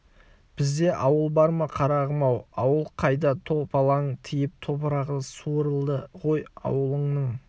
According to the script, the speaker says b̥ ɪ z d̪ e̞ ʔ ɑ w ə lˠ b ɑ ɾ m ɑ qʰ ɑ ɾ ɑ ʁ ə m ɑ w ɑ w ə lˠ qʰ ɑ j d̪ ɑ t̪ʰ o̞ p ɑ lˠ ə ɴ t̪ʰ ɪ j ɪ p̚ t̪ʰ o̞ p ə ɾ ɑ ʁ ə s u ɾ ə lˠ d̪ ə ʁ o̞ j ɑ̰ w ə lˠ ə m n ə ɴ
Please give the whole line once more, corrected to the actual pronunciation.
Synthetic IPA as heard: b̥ ɪ z d̪ e̞ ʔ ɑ w ə lˠ b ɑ ɾ m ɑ qʰ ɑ ɾ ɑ ʁ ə m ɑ w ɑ w ə lˠ qʰ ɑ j d̪ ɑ t̪ʰ o̞ p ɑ lˠ ɑ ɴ t̪ʰ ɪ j ɪ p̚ t̪ʰ o̞ p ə ɾ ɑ ʁ ə s u ɾ ə lˠ d̪ ə ʁ o̞ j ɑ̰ w ə lˠ ə ɴ n ə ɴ